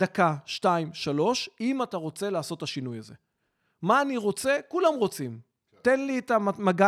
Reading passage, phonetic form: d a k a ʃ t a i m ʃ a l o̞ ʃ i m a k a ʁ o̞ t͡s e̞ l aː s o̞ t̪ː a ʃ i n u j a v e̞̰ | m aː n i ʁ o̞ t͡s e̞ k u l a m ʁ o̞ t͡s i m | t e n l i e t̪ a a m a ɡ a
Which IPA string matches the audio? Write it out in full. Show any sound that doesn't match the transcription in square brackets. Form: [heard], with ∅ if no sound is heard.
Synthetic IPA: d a k a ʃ t a i m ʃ a l o̞ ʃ i m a [t] a ʁ o̞ t͡s e̞ l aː s o̞ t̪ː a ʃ i n u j a [z] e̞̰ | m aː n i ʁ o̞ t͡s e̞ k u l a m ʁ o̞ t͡s i m | t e n l i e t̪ a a m a ɡ a